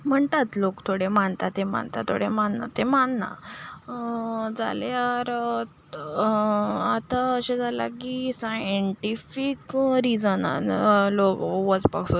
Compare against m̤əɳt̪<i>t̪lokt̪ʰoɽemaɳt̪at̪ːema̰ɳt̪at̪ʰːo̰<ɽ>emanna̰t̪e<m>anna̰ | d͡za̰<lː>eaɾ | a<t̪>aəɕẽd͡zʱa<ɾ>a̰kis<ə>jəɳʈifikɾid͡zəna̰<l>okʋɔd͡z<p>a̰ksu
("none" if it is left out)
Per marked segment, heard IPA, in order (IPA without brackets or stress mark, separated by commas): a, ɽ, m, l, t̪, l, a, l, p